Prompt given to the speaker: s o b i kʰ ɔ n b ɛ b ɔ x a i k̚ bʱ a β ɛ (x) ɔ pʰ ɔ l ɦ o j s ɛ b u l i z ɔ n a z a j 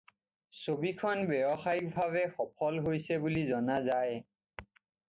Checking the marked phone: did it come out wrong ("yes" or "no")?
no